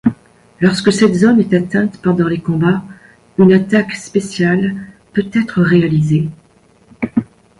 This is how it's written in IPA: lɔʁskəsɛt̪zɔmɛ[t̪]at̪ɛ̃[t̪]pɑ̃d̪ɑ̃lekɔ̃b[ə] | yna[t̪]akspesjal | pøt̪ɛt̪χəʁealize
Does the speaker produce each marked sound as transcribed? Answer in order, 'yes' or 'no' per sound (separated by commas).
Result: yes, yes, no, yes